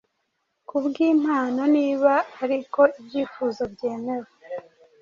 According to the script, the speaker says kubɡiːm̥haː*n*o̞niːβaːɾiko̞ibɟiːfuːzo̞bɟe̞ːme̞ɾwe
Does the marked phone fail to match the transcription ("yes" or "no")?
no